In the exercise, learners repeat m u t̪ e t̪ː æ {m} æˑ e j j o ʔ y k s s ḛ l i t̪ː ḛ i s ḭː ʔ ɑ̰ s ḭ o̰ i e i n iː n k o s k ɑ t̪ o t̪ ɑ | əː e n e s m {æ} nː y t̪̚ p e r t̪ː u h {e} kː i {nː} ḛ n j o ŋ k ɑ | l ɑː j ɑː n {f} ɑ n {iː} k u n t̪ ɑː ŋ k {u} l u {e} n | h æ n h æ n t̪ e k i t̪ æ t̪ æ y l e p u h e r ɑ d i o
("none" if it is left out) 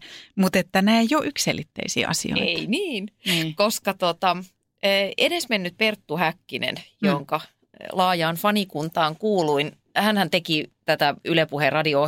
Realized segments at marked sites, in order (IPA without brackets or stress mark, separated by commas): n, e, æ, n, f, i, uː, i